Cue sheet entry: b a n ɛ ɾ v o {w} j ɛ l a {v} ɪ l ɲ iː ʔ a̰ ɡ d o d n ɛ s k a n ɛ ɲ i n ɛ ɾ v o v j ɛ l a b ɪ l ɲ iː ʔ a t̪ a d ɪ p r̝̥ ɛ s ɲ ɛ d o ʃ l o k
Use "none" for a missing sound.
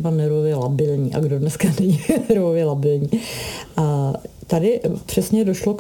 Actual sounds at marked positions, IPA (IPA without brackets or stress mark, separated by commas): v, b